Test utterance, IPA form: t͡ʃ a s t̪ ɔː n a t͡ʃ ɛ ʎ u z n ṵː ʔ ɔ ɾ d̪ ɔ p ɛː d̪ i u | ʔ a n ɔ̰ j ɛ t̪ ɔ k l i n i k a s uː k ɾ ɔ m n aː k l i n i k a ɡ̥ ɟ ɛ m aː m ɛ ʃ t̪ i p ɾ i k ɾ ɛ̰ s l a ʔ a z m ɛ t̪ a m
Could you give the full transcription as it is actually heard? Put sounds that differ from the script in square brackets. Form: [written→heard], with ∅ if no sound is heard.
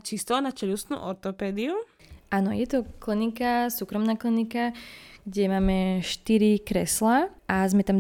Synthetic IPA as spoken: t͡ʃ [a→i] s t̪ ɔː n a t͡ʃ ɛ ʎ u [z→s] n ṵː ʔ ɔ ɾ [d̪→t̪] ɔ p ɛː d̪ i u | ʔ a n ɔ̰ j ɛ t̪ ɔ k l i n i k a s uː k ɾ ɔ m n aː k l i n i k a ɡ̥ ɟ ɛ m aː m ɛ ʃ t̪ i [p→∅] ɾ i k ɾ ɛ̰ s l a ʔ a z m ɛ t̪ a m